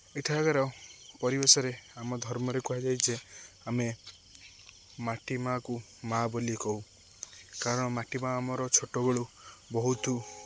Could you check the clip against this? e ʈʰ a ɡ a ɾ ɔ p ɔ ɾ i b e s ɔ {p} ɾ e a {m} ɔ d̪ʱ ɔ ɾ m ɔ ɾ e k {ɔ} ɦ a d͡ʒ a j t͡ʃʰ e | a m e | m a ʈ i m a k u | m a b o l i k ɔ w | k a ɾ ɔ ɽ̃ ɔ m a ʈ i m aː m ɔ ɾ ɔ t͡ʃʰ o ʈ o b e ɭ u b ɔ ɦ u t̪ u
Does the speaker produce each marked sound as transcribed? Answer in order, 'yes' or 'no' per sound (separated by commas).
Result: no, yes, no